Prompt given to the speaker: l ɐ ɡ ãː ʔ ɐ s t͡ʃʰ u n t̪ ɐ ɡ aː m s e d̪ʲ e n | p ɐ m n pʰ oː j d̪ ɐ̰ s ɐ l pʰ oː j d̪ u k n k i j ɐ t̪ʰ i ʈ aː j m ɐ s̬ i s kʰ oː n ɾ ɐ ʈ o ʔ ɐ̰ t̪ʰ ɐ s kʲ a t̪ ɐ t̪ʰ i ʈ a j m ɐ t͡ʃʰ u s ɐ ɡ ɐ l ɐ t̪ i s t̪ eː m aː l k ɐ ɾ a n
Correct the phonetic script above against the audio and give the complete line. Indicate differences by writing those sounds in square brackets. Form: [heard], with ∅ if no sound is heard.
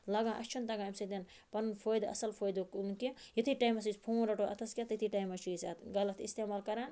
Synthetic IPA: l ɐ ɡ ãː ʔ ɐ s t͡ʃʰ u n t̪ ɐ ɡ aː m s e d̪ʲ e n | p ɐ [n] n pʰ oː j d̪ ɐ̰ s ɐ l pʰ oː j d̪ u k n k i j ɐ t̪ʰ i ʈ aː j m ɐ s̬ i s [pʰ] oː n ɾ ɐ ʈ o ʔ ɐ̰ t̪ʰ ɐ s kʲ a t̪ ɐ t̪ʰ i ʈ a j m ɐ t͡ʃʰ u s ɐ ɡ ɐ l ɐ t̪ i s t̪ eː m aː l k ɐ ɾ a n